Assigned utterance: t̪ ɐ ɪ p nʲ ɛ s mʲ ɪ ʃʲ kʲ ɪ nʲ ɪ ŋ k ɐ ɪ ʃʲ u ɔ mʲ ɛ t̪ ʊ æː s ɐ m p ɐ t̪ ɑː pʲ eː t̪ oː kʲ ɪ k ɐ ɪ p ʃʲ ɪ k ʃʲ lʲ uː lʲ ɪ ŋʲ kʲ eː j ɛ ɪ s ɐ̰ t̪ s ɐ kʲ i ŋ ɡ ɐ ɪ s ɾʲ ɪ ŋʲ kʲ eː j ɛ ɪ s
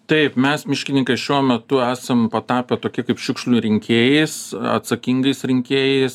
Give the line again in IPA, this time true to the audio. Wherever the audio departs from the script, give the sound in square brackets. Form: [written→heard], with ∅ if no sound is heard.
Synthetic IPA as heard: t̪ ɐ ɪ p [nʲ→mʲ] ɛ s mʲ ɪ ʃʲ kʲ ɪ nʲ ɪ ŋ k ɐ ɪ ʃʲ u ɔ mʲ ɛ t̪ ʊ æː s ɐ m p ɐ t̪ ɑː pʲ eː t̪ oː kʲ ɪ k ɐ ɪ p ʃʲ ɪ k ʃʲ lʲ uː [lʲ→ɾʲ] ɪ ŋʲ kʲ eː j ɛ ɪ s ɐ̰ t̪ s ɐ kʲ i ŋ ɡ ɐ ɪ s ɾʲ ɪ ŋʲ kʲ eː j ɛ ɪ s